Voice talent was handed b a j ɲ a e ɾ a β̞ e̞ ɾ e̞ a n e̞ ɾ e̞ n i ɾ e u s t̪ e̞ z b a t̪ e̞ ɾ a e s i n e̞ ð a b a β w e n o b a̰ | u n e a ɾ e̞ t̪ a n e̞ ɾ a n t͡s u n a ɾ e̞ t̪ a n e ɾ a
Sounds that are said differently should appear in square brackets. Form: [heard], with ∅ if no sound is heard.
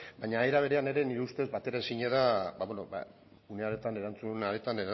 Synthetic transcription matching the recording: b a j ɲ a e ɾ a β̞ e̞ ɾ e̞ a n e̞ ɾ e̞ n i ɾ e u s t̪ e̞ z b a t̪ e̞ ɾ a e s i [ɲ] e̞ ð a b a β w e n o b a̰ | u n e a ɾ e̞ t̪ a n e̞ ɾ a n t͡s u n a ɾ e̞ t̪ a n e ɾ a